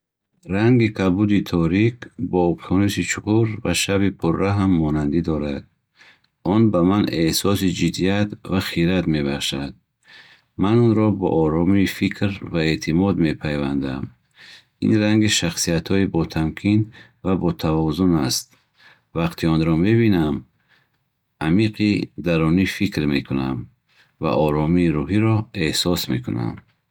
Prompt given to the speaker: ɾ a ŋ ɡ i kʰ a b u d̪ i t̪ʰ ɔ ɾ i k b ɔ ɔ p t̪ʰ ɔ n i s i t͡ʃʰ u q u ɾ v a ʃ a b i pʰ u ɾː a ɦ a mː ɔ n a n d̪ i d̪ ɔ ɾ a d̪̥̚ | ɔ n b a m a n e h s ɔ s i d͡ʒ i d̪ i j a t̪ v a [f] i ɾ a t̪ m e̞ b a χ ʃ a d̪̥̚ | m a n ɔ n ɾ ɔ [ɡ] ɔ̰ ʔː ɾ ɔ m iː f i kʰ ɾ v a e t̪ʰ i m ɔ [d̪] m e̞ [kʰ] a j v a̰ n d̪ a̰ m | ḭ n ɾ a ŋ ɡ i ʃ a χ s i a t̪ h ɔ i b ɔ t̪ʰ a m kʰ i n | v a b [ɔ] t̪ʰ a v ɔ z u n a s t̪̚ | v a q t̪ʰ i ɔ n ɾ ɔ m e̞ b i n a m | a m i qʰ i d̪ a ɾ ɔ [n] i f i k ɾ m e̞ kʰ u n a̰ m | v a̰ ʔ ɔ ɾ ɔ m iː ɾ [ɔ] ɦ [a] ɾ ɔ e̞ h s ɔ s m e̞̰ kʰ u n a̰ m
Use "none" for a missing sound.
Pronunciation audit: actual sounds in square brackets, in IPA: χ, b, d̪, pʰ, ɔ, n, u, i

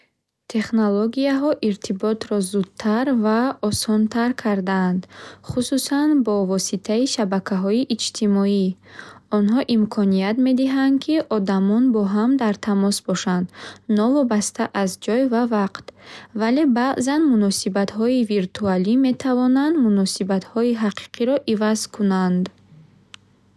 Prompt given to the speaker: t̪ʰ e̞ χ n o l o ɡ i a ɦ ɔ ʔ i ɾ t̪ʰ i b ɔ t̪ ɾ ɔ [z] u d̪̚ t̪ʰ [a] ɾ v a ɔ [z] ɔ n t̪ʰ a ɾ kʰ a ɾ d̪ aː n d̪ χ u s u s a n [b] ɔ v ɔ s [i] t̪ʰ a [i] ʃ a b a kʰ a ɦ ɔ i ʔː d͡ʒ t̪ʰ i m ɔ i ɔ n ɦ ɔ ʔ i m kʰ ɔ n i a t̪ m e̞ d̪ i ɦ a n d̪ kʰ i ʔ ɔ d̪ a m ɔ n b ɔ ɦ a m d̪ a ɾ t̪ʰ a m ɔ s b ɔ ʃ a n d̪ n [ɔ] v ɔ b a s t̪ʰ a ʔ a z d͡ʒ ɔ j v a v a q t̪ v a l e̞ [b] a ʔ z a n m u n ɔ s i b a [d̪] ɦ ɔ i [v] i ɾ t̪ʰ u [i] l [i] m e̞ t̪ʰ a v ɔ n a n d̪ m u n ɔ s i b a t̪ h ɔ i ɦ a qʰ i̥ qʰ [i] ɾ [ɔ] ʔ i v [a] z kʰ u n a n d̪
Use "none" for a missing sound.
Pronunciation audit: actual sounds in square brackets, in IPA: z, a, s, b, i, i, ɔ, b, t̪, v, a, i, i, ɔ, a

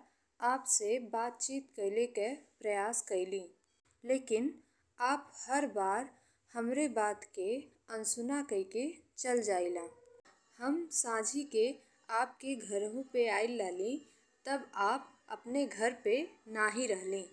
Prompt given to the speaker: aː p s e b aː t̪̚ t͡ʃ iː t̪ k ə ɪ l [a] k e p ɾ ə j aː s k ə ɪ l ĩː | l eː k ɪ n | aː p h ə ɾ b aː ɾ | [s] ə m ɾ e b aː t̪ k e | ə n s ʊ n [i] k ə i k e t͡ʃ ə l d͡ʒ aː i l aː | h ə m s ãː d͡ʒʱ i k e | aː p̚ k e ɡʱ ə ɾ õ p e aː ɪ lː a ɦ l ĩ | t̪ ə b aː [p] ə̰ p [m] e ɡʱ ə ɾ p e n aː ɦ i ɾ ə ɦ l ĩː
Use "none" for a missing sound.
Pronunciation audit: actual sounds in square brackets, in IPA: e, h, a, p, n

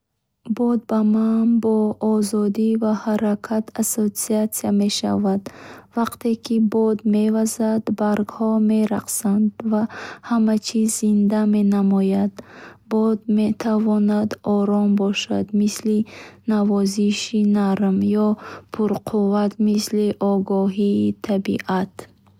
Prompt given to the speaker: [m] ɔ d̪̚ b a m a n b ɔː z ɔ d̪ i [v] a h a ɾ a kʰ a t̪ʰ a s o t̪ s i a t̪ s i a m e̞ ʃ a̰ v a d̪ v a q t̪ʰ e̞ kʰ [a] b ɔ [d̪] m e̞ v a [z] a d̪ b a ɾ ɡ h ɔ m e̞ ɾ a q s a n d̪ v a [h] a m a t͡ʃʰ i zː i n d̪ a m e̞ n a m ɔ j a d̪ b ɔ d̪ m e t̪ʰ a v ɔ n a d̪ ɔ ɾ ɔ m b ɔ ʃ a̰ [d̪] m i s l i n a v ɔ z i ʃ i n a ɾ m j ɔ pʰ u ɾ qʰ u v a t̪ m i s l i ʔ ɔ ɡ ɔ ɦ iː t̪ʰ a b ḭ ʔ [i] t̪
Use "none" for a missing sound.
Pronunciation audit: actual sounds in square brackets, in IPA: b, v, i, d̪, z, h, d̪, a

